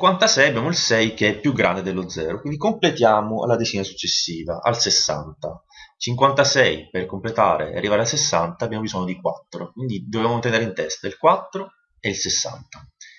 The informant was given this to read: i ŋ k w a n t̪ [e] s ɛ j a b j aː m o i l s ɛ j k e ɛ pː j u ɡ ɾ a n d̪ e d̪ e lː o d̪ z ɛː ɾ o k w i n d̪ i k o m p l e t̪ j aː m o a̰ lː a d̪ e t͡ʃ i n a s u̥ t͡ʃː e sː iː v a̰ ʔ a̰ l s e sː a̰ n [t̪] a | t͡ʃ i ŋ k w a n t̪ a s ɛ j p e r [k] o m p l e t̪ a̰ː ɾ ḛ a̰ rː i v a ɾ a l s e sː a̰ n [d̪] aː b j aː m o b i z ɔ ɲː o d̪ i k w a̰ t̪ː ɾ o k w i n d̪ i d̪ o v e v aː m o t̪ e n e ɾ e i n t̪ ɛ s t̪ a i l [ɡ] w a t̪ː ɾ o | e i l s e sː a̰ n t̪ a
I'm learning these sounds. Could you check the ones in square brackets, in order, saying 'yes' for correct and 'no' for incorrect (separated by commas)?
no, yes, yes, no, no